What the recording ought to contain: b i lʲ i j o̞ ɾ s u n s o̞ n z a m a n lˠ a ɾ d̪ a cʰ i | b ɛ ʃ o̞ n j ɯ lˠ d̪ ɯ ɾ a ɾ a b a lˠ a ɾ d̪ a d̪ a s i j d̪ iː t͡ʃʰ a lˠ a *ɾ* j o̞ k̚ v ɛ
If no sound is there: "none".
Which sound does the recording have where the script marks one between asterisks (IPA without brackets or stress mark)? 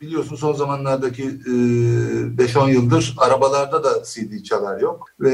ɾ